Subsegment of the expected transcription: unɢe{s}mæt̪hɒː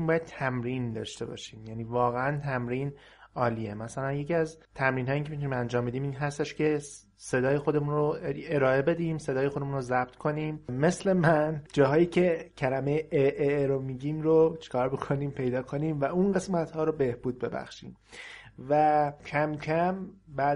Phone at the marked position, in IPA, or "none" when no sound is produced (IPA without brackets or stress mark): s